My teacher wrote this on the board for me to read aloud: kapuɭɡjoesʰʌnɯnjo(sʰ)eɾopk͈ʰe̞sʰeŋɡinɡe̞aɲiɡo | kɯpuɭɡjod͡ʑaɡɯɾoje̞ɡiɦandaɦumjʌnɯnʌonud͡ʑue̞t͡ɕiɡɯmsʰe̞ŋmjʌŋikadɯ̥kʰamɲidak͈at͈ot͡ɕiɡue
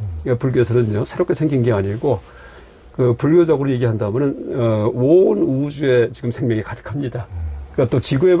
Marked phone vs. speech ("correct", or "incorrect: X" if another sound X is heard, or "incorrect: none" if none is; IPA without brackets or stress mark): correct